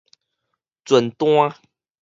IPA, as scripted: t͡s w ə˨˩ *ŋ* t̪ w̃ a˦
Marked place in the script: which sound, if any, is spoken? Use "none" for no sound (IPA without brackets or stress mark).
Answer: n